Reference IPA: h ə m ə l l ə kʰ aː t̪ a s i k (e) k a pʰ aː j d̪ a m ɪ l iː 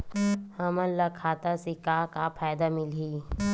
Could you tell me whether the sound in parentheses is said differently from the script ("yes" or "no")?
yes